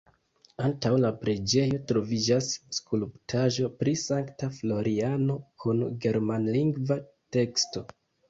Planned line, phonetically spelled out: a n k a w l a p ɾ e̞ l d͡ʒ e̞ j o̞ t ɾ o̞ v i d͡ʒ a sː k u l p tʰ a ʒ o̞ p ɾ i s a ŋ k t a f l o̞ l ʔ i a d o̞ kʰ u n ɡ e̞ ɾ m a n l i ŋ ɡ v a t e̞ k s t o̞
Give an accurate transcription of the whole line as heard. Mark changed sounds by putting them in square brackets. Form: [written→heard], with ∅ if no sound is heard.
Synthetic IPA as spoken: a n [k→t] a w l a p ɾ e̞ [l→∅] d͡ʒ e̞ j o̞ t ɾ o̞ v i d͡ʒ a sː k u l p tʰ a ʒ o̞ p ɾ i s a ŋ k t a f l o̞ [l→ɾ] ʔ i a [d→n] o̞ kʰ u n ɡ e̞ ɾ m a n l i ŋ ɡ v a t e̞ k s t o̞